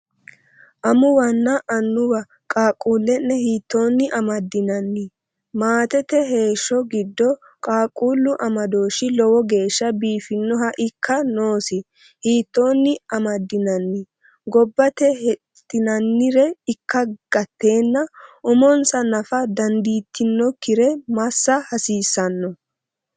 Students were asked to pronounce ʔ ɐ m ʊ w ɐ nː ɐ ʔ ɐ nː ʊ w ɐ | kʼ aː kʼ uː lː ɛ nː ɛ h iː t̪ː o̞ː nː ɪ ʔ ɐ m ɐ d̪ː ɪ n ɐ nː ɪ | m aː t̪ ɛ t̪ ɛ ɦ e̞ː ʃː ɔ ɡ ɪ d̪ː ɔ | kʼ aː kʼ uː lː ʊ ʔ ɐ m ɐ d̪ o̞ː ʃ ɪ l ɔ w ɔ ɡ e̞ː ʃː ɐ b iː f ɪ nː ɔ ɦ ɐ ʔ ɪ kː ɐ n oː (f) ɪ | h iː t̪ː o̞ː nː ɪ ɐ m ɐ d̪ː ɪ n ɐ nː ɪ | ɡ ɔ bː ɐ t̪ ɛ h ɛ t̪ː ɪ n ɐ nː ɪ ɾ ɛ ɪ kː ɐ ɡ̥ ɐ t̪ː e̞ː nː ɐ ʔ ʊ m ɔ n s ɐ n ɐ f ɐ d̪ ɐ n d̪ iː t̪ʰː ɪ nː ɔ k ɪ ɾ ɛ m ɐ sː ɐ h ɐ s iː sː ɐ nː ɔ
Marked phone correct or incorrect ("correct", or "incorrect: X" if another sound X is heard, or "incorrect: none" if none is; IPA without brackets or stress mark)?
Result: incorrect: s